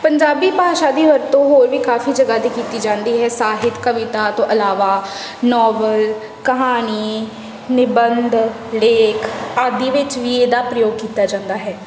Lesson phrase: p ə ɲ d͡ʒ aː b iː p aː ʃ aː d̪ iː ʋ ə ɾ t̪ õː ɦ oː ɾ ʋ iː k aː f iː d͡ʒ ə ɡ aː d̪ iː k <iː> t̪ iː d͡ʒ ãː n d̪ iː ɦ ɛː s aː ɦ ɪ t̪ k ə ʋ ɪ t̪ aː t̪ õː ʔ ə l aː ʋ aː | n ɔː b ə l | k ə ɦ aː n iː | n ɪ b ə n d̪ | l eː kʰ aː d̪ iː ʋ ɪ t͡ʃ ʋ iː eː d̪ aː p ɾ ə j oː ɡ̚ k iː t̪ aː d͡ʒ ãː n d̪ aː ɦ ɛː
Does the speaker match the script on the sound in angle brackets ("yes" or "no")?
yes